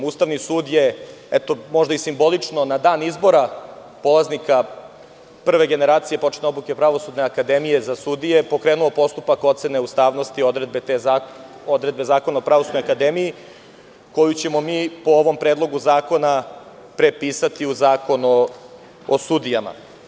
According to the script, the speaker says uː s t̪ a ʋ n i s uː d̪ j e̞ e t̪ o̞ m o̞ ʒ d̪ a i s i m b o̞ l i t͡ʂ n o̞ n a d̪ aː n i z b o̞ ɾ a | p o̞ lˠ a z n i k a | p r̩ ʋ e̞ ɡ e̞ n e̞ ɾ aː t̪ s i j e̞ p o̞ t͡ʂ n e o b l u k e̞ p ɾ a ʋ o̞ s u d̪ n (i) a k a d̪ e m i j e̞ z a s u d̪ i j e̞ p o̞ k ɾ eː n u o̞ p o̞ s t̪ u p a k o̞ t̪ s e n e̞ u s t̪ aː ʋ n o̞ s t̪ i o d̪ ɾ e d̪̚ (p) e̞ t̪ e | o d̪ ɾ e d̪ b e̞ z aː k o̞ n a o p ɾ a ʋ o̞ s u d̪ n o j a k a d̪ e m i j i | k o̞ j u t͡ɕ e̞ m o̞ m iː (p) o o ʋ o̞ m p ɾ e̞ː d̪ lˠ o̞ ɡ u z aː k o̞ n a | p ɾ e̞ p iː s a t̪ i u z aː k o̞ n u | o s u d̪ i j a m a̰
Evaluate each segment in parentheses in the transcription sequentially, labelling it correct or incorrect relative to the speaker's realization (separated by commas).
incorrect, incorrect, correct